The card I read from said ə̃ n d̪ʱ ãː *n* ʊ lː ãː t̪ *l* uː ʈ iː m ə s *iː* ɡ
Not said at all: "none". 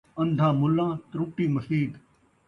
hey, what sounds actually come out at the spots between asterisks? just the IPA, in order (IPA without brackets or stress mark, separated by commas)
m, ɾ, iː